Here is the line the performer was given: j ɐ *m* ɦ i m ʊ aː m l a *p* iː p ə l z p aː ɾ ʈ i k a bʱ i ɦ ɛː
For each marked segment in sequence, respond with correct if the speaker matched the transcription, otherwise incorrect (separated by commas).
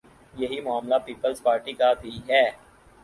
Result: incorrect, correct